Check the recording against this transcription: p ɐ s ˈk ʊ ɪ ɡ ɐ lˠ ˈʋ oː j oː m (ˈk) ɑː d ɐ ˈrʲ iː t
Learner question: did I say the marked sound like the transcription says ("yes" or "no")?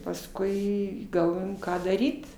yes